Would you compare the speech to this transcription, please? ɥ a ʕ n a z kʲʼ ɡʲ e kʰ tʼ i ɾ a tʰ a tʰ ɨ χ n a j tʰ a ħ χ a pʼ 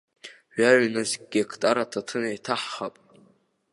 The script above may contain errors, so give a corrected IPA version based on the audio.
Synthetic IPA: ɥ a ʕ n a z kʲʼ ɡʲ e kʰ tʼ a ɾ a tʰ a tʰ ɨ n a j tʰ a ħ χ a pʼ